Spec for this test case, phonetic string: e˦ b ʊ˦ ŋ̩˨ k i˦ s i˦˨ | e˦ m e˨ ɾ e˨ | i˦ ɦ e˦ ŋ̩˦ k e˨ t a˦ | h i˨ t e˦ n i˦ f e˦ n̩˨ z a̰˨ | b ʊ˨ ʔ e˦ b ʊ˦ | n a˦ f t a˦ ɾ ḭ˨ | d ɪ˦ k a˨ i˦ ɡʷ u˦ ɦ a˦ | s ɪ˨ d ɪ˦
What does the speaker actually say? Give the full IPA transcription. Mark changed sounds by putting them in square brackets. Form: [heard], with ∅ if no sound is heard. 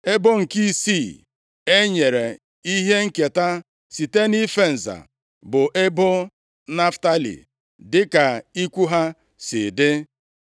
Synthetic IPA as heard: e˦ b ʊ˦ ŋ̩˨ k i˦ s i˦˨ | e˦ [ɲ] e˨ ɾ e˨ | i˦ ɦ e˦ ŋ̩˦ k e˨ t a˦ | [s] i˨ t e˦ n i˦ f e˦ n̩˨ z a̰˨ | b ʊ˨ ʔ e˦ b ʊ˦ | n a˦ f t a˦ [l] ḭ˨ | d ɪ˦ k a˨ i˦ [kʷ] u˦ ɦ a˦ | s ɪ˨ d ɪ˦